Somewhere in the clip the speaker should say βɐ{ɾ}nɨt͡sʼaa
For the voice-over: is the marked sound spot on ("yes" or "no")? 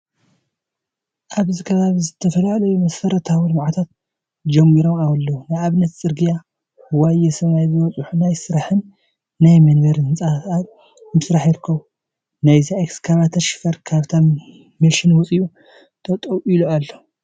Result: yes